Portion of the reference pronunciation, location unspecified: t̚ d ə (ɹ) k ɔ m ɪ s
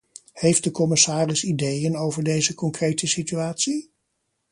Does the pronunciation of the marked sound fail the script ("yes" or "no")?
yes